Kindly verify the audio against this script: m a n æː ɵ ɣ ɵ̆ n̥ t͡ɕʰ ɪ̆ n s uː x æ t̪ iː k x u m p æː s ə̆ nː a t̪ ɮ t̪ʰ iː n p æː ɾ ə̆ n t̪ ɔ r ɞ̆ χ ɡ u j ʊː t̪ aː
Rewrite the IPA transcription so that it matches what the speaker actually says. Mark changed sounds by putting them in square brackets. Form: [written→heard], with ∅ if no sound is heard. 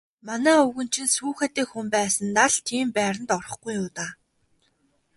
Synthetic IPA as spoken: m a n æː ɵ ɣ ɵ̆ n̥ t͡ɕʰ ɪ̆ n s uː x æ t̪ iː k x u m p æː s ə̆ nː a [t̪→∅] ɮ t̪ʰ iː [n→m] p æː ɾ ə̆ n t̪ ɔ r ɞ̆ χ ɡ u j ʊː t̪ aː